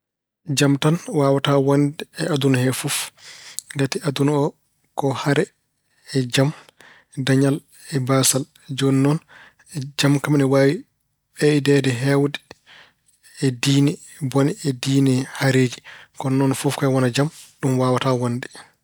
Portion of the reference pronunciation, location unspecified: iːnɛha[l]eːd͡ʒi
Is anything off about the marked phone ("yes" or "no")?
yes